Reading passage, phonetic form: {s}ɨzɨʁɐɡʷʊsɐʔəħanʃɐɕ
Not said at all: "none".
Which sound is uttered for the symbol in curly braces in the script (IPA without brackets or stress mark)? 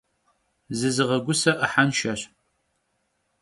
z